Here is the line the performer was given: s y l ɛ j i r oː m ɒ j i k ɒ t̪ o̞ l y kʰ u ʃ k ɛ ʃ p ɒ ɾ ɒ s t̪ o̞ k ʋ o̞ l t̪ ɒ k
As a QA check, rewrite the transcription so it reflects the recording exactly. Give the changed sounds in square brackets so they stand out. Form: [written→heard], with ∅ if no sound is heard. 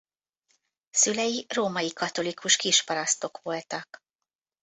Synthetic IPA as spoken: s y l ɛ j i r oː m ɒ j i k ɒ t̪ o̞ l [y→i] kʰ u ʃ k [ɛ→i] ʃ p ɒ ɾ ɒ s t̪ o̞ k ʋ o̞ l t̪ ɒ k